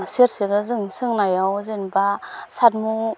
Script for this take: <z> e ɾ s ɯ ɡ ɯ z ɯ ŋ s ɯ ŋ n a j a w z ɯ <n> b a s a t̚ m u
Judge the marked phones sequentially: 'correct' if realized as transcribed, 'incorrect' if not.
incorrect: s, correct

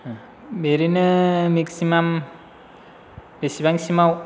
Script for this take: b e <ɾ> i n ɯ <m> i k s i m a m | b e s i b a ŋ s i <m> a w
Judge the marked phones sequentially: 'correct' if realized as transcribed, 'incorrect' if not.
correct, correct, correct

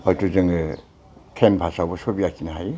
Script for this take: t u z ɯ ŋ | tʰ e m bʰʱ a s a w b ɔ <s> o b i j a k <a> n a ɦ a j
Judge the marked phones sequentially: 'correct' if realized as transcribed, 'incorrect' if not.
correct, incorrect: i

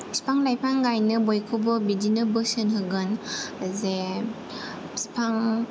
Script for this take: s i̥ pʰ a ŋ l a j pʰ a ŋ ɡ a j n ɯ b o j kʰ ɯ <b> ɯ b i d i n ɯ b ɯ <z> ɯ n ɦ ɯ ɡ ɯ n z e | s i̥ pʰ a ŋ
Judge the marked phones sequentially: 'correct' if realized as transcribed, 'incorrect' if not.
correct, incorrect: s

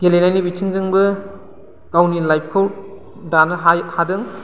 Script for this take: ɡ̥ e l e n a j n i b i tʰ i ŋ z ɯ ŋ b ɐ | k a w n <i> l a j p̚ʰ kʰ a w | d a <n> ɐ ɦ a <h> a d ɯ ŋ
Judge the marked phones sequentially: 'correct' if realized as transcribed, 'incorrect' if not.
correct, correct, correct

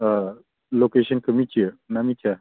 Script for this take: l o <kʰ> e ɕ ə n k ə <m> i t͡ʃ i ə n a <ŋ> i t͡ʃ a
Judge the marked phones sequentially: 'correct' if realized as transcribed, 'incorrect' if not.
incorrect: k, correct, incorrect: m

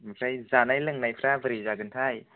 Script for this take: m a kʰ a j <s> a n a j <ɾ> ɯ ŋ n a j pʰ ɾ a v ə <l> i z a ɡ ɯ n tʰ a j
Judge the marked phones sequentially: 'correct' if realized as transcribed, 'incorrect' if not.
incorrect: z, incorrect: l, incorrect: ɾ

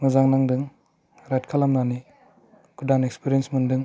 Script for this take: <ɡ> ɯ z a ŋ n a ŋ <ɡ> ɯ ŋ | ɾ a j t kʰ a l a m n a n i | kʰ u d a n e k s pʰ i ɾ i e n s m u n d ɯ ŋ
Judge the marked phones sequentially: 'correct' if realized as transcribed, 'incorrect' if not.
incorrect: ŋ, incorrect: d

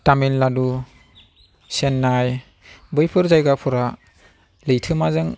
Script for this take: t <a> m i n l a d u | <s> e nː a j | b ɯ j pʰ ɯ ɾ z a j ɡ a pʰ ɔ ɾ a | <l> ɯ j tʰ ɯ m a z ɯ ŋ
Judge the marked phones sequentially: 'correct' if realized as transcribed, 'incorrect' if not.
correct, correct, correct

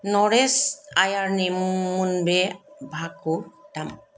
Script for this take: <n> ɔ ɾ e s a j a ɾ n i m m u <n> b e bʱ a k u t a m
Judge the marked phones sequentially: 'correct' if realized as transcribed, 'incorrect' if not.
correct, correct

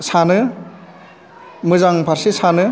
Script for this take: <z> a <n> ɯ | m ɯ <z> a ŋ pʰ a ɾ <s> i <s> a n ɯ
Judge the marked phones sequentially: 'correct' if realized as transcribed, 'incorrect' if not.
incorrect: s, correct, correct, correct, correct

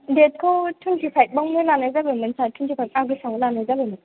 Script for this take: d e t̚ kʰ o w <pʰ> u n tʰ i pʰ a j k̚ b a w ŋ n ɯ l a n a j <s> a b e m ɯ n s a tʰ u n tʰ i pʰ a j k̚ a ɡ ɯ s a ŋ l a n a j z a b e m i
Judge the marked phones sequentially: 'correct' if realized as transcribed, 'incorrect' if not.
incorrect: tʰ, incorrect: z

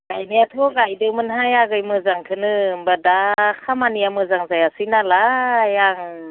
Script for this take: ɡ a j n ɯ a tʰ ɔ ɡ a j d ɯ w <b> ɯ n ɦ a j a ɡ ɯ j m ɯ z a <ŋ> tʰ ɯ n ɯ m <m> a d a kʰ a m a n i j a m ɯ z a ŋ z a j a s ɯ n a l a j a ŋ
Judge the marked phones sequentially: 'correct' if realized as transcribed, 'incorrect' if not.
incorrect: m, correct, incorrect: b

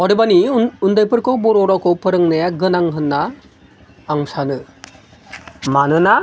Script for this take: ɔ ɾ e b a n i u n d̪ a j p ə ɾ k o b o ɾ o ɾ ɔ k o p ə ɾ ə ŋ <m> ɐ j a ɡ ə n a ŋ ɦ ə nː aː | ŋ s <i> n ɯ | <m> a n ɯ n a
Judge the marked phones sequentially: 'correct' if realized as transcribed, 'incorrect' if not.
incorrect: n, incorrect: a, correct

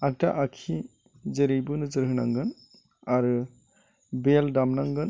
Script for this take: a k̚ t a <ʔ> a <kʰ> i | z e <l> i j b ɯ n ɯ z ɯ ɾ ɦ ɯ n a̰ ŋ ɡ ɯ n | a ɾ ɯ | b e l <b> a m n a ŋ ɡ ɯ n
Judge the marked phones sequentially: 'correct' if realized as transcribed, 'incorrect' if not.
correct, correct, incorrect: ɾ, incorrect: d

